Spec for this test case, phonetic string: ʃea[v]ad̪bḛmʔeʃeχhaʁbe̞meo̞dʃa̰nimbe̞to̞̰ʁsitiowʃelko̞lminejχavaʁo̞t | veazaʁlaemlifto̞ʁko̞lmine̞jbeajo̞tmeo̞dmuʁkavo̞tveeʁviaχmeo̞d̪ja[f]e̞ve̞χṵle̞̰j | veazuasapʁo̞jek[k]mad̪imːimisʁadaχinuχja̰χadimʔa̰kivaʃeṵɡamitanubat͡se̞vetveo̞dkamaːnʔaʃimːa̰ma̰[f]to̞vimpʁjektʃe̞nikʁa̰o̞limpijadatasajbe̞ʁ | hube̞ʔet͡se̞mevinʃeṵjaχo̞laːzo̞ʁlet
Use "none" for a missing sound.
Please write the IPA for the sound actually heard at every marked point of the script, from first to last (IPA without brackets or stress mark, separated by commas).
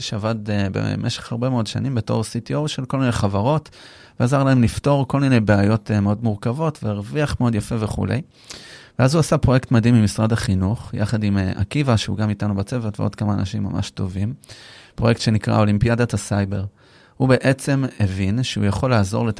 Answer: v, f, t, ʃ